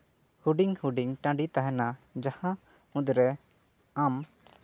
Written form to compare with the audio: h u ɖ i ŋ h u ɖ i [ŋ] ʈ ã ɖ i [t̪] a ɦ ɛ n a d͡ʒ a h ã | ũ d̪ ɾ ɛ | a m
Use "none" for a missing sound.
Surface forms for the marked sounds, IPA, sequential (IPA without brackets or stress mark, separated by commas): ŋ, t̪